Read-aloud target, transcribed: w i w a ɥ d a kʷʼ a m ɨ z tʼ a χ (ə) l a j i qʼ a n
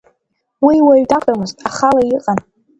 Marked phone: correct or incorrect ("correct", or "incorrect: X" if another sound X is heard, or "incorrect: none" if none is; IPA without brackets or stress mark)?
incorrect: a